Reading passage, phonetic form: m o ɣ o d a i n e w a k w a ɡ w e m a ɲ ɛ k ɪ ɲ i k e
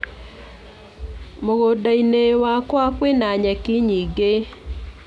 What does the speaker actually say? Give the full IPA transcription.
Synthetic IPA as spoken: m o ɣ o d a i n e w a k w a k w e n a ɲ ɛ k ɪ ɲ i ɡ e